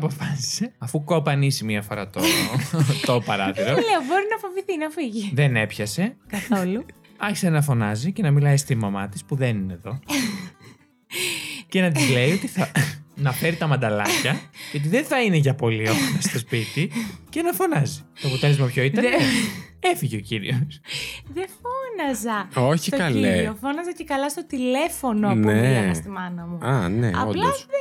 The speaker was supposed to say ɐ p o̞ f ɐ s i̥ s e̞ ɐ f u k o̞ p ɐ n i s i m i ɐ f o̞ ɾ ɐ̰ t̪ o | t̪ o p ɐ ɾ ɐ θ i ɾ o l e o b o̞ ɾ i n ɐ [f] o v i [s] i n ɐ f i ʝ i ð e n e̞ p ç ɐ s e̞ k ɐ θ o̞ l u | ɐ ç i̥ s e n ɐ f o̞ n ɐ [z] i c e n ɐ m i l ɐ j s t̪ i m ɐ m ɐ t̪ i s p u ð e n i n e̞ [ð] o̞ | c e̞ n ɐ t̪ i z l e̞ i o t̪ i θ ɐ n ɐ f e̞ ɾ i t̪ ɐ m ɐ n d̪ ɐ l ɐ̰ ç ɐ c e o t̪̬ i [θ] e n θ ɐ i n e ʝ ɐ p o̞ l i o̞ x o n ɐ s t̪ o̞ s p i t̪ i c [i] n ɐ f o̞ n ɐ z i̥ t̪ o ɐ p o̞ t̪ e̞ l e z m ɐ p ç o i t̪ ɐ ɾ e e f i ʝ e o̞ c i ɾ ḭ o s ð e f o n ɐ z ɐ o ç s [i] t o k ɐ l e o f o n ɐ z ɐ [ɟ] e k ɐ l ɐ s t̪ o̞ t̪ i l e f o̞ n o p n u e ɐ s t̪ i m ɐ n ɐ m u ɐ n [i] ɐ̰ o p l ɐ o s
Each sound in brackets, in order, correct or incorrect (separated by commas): correct, incorrect, correct, correct, incorrect, incorrect, correct, incorrect, incorrect